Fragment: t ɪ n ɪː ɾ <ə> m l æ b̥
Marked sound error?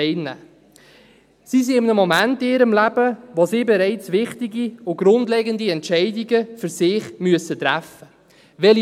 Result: no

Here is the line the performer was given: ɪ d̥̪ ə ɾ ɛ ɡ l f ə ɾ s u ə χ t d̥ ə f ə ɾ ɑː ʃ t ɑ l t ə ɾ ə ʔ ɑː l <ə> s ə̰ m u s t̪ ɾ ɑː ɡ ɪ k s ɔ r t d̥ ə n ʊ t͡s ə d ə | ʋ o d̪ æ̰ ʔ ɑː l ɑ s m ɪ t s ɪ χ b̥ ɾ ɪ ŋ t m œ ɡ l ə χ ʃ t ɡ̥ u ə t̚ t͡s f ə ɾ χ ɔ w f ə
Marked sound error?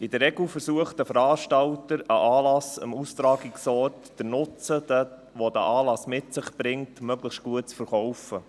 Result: yes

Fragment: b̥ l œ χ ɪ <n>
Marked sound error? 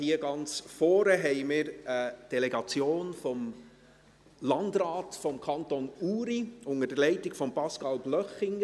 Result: yes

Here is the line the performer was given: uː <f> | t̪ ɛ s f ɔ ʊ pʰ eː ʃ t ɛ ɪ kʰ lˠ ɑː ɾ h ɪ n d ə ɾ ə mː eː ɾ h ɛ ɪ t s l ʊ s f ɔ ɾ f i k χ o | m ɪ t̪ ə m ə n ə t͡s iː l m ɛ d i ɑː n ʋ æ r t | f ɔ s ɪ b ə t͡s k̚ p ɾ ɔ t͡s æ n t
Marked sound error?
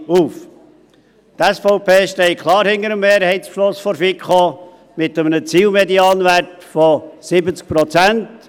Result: no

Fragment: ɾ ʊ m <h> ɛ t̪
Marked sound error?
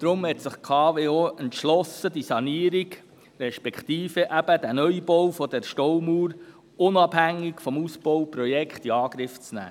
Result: no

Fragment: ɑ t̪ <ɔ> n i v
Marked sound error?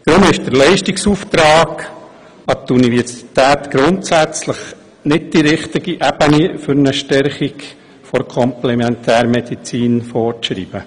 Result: yes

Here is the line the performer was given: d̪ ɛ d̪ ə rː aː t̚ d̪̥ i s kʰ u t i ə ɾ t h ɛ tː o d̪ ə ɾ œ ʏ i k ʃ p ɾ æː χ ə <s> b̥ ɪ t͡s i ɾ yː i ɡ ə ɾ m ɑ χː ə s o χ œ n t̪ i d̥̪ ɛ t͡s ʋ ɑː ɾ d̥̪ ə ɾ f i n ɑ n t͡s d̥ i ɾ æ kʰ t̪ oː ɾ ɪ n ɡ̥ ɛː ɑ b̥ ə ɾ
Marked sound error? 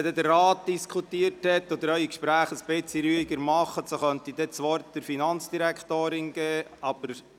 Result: no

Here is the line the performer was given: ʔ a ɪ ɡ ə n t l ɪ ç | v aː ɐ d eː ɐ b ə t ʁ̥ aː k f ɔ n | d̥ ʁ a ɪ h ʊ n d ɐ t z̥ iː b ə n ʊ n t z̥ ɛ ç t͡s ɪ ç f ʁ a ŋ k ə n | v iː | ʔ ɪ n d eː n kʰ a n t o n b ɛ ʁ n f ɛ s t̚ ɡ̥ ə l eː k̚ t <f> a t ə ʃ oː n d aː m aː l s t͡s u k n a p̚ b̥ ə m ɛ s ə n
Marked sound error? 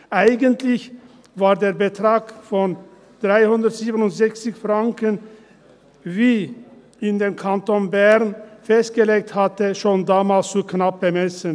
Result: yes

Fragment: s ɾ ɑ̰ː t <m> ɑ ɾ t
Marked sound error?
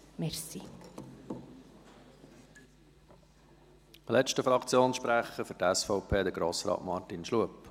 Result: no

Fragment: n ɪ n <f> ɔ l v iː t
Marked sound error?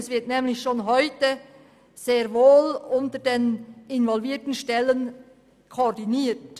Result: yes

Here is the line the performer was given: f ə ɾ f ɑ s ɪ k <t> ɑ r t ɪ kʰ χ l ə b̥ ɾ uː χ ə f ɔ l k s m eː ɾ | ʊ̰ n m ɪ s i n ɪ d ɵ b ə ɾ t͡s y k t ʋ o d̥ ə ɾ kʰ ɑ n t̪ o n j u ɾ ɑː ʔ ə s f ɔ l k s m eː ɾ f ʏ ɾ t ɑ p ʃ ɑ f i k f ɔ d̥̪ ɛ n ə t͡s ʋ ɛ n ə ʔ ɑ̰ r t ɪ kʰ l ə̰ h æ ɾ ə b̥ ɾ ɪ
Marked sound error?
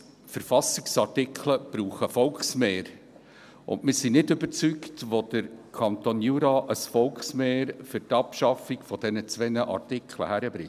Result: yes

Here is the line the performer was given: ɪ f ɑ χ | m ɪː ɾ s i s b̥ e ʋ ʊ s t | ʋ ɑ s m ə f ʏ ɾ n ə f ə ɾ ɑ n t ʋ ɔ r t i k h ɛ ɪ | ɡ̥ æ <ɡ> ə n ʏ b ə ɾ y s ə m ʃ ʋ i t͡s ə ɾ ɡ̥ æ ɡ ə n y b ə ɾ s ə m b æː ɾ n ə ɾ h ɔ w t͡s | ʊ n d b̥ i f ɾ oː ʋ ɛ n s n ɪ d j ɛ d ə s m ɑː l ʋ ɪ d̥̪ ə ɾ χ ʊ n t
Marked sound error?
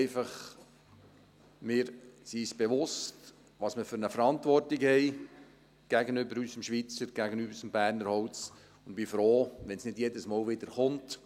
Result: no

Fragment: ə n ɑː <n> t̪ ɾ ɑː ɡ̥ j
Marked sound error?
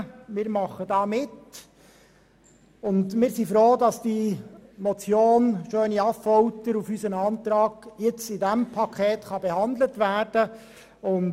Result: no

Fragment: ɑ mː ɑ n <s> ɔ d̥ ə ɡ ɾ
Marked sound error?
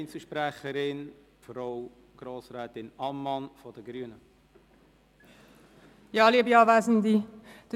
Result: yes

